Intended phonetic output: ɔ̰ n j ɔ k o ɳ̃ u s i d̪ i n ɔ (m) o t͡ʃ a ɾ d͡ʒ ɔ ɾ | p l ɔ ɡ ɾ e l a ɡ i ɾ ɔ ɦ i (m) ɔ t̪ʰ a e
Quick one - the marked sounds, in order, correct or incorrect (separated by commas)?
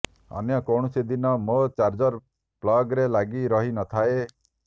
correct, incorrect